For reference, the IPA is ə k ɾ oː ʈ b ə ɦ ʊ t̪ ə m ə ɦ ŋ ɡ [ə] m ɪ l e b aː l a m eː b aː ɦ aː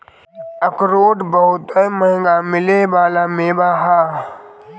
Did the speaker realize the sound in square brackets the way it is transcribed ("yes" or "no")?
no